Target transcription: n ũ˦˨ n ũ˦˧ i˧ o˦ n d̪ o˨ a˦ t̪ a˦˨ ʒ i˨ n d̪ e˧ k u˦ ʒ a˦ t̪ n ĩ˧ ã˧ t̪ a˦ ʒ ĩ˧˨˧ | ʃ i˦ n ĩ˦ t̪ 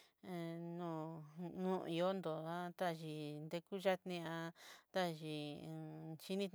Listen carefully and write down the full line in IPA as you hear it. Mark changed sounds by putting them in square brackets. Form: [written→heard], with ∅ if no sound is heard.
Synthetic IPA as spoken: n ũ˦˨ n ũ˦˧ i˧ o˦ n d̪ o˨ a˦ t̪ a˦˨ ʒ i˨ n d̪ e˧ k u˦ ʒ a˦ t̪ n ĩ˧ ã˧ t̪ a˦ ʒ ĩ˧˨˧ | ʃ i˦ n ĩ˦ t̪